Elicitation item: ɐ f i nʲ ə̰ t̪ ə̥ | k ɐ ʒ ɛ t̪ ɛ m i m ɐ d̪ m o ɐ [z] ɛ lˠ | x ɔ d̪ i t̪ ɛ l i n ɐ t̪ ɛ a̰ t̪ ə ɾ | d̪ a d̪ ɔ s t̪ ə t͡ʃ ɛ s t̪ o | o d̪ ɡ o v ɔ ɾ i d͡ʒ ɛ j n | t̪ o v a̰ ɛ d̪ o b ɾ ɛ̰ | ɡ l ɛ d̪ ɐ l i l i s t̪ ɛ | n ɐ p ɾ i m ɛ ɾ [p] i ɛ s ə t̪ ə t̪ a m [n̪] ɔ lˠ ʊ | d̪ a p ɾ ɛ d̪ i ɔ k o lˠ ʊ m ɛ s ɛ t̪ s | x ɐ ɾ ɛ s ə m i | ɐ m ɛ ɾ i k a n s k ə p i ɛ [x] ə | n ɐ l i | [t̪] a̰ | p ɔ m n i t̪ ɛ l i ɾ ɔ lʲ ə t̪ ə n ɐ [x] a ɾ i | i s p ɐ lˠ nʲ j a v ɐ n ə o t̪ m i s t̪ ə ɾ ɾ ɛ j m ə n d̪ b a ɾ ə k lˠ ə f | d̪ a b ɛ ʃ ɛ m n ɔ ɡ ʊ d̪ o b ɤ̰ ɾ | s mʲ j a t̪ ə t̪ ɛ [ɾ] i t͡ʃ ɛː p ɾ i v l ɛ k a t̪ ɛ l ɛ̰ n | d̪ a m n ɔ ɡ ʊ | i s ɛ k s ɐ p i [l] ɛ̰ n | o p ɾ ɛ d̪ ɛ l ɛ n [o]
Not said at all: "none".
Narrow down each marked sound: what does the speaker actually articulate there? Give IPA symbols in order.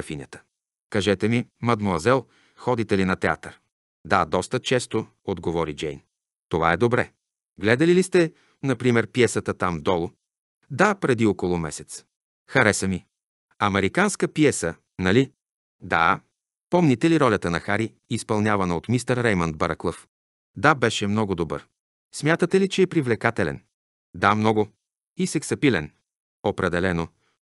z, p, d̪, s, d̪, x, l, l, o

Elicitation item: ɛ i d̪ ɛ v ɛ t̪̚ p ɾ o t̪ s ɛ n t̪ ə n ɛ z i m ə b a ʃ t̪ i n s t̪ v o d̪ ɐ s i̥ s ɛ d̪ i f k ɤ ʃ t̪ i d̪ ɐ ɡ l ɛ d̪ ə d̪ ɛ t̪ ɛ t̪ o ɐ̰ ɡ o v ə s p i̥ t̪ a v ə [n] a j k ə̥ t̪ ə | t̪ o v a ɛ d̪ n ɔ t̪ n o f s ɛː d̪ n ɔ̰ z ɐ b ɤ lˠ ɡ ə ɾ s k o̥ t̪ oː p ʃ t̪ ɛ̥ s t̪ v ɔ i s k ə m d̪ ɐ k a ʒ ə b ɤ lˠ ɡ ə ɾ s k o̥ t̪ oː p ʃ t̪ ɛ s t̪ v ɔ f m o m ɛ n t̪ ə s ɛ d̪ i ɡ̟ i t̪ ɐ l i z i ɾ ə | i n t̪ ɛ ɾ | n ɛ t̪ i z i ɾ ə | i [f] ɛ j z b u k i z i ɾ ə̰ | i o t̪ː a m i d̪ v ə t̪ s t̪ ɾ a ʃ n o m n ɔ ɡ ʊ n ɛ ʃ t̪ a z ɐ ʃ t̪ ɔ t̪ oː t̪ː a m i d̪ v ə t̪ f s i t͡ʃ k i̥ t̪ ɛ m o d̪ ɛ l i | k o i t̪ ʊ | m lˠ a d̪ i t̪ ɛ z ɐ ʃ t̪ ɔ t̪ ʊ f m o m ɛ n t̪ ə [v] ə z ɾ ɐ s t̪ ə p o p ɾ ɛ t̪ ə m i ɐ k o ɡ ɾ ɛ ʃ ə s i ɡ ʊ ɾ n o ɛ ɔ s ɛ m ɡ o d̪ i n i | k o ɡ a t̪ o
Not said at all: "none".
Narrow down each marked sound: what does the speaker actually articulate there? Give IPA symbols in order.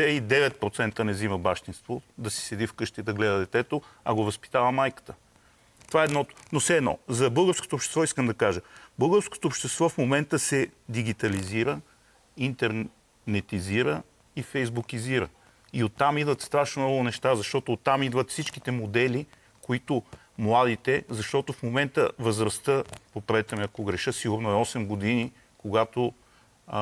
m, f, v

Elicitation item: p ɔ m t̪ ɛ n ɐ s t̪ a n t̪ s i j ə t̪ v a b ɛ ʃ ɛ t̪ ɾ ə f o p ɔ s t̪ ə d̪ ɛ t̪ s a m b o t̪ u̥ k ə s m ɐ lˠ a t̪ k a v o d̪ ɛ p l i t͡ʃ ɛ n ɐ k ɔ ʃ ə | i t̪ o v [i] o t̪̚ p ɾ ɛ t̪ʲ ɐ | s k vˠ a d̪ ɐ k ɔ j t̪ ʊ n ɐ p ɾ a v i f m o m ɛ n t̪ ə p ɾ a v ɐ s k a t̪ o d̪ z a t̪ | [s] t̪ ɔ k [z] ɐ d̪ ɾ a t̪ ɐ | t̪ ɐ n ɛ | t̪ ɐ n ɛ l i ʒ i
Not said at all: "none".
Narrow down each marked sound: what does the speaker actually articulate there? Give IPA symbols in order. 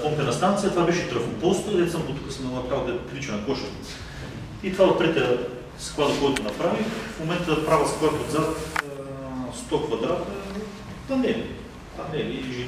a, s, v

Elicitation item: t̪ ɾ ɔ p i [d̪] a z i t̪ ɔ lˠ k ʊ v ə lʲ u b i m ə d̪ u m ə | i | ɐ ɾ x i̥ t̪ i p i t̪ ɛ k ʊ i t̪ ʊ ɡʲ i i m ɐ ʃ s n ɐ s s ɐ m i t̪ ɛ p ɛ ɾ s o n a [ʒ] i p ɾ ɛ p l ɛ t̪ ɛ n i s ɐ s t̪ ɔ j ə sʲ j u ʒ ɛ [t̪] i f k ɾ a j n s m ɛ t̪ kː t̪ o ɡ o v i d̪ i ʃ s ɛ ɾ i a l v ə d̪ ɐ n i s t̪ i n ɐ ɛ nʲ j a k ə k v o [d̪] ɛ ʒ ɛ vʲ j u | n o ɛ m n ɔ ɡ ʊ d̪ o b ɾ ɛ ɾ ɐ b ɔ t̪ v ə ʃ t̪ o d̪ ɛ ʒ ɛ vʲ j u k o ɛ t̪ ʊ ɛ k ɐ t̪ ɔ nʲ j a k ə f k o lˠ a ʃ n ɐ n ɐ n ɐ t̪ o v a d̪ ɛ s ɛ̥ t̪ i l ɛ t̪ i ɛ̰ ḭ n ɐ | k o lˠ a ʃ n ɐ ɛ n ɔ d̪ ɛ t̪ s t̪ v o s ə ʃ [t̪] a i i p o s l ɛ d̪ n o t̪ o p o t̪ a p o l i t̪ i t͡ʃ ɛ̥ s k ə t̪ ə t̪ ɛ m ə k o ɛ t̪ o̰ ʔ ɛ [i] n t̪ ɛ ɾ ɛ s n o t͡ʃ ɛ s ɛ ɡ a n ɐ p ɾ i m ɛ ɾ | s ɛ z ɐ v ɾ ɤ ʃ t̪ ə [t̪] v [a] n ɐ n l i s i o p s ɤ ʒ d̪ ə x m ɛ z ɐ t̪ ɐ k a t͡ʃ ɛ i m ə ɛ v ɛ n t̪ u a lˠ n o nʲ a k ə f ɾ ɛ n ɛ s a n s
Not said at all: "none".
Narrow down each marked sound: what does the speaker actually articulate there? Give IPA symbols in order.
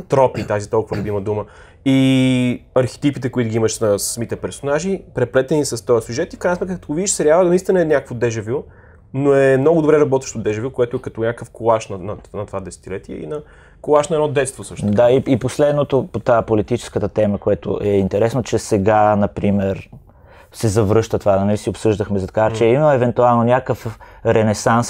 t̪, ʒ, t̪, d̪, d̪, i, t̪, a

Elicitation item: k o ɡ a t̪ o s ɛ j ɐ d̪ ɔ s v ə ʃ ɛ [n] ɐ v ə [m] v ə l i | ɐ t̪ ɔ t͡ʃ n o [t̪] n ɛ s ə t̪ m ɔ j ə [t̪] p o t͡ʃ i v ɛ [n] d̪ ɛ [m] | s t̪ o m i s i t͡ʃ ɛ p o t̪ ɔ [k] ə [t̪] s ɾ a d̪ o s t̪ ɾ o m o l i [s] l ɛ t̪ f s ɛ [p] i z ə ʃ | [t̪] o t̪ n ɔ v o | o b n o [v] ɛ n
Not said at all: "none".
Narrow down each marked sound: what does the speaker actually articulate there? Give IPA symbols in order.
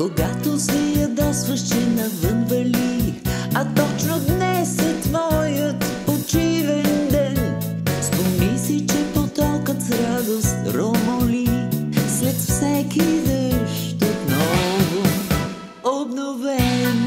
n, n, d̪, t̪, n, n, k, t̪, s, k, t̪, v

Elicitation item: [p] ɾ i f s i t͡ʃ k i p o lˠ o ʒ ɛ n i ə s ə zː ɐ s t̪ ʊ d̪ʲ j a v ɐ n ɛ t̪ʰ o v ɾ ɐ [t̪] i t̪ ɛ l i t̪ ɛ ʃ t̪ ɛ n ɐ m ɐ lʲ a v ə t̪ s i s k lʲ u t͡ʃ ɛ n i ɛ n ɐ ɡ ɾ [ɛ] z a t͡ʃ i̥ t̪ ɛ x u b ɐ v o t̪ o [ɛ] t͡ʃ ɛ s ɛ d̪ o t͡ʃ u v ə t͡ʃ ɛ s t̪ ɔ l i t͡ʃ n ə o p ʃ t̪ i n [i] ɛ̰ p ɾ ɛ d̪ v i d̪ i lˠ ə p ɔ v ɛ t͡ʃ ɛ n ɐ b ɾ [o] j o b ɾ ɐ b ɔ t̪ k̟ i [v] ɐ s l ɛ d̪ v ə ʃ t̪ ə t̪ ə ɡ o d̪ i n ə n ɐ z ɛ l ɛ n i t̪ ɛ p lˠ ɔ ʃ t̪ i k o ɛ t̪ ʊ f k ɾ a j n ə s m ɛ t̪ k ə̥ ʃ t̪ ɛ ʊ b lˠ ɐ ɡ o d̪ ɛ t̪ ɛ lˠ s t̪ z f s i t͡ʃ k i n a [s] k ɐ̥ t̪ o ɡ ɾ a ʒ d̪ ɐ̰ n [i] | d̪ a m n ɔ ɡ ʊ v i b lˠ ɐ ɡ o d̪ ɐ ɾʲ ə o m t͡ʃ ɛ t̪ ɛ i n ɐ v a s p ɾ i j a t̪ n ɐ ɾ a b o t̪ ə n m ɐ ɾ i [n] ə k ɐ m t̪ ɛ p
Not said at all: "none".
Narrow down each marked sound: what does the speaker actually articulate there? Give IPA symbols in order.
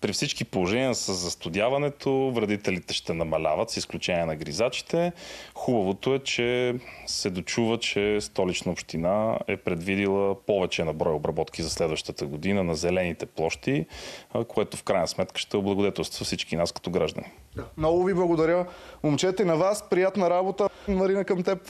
p, d̪, i, ɛ, a, ɔ, z, s, i, n

